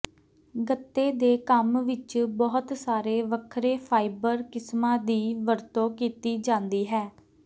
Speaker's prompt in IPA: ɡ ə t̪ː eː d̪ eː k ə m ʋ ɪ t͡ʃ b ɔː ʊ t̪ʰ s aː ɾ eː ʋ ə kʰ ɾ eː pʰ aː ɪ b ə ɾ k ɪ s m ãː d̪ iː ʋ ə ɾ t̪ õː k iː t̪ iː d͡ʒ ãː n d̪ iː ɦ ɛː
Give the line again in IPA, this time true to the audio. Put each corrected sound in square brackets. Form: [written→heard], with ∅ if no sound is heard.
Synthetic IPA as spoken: ɡ ə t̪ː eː d̪ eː k ə m ʋ ɪ t͡ʃ b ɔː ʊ [t̪ʰ→t̪] s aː ɾ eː ʋ ə kʰ ɾ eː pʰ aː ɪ b ə ɾ k ɪ s m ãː d̪ iː ʋ ə ɾ t̪ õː k iː t̪ iː d͡ʒ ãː n d̪ iː ɦ ɛː